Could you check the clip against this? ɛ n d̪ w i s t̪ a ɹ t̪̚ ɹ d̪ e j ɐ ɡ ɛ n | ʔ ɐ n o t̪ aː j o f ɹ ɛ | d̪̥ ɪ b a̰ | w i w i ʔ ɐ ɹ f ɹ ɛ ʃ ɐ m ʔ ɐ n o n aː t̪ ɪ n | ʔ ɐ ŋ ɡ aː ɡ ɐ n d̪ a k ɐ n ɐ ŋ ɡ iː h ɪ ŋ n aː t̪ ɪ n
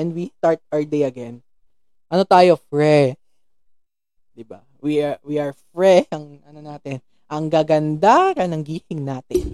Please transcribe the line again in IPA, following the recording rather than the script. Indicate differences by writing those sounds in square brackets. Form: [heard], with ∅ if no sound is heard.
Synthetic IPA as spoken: ɛ n d̪ w i s t̪ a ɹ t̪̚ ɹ d̪ e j ɐ ɡ ɛ n | ʔ ɐ n o t̪ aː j o f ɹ ɛ | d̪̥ ɪ b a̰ | w i w i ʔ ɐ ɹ f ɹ ɛ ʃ ɐ [ŋ] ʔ ɐ n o n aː t̪ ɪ n | ʔ ɐ ŋ ɡ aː ɡ ɐ n d̪ a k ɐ n ɐ ŋ ɡ iː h ɪ ŋ n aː t̪ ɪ n